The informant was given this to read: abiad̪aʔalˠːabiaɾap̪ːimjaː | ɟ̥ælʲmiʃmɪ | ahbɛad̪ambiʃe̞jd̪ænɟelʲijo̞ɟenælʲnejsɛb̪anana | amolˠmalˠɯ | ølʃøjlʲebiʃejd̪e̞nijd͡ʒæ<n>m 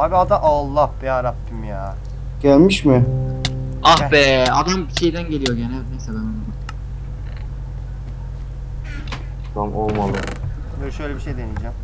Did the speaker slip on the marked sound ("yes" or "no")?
yes